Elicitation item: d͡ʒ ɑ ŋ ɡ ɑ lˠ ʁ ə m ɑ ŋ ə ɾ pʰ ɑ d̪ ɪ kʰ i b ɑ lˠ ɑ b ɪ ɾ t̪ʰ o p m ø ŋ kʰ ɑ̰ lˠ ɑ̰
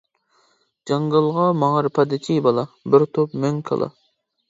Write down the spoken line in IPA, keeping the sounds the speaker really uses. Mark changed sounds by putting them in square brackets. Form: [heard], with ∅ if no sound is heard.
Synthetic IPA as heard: d͡ʒ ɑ ŋ ɡ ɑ lˠ ʁ [ɑ] m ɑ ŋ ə ɾ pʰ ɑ d̪ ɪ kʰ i b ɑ lˠ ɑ b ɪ ɾ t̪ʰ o p m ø ŋ kʰ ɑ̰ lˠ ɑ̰